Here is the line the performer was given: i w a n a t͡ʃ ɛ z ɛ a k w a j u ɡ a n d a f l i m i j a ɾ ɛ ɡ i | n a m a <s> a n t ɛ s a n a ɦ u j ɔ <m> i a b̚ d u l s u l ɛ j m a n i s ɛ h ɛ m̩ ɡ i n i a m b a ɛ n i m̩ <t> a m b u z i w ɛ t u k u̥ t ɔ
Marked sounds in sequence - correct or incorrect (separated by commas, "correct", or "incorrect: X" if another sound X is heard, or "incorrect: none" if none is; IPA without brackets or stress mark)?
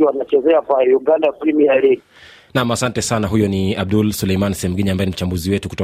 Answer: correct, incorrect: n, incorrect: t͡ʃ